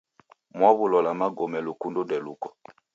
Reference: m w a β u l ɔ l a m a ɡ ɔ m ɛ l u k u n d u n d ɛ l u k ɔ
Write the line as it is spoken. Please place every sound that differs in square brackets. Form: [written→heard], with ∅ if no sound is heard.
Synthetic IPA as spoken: m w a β u l ɔ l a m a ɡ ɔ m ɛ l u k u n d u n d ɛ l u k ɔ